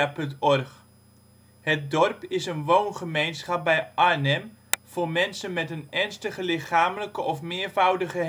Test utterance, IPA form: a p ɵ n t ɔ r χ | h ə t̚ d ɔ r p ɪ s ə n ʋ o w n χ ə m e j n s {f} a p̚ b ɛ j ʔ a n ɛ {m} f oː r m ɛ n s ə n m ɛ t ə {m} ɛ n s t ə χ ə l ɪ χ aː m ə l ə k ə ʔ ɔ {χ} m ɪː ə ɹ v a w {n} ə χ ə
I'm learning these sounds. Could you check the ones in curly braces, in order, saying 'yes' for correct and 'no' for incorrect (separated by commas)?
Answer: no, yes, no, no, no